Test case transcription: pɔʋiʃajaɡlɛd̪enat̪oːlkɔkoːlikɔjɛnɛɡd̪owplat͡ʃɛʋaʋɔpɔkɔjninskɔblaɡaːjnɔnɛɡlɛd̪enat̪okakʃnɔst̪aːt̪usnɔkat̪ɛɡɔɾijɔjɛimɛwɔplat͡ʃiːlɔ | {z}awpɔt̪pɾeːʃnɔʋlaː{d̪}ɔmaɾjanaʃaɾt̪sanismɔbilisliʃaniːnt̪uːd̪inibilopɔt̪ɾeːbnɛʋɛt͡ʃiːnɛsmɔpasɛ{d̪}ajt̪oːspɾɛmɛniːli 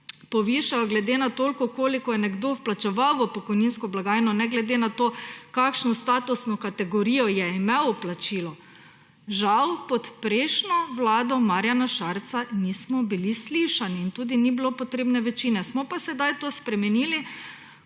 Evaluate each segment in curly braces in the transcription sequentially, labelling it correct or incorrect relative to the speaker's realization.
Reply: incorrect: ʒ, correct, correct

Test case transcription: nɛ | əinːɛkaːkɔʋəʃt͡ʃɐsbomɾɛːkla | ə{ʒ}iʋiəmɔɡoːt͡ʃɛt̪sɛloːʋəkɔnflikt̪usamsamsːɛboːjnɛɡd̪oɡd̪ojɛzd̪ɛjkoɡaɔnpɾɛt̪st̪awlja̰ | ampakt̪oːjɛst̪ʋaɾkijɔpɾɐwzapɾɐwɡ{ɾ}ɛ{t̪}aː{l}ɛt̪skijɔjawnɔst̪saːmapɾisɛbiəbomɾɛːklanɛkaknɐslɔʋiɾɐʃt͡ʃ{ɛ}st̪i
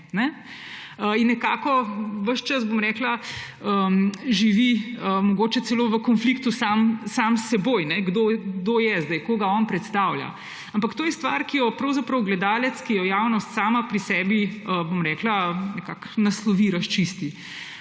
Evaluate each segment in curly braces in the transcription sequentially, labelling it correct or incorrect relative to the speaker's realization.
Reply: correct, incorrect: l, incorrect: d̪, correct, incorrect: i

